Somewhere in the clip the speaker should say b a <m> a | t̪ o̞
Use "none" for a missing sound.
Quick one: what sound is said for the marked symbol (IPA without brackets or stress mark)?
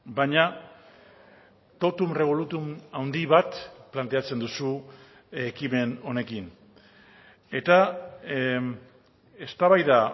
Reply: ɲ